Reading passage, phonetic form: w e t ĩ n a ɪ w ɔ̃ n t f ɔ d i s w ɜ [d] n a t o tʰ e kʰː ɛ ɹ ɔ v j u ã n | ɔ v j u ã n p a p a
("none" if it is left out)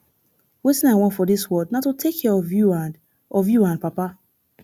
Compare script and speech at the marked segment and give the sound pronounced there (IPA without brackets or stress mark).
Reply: d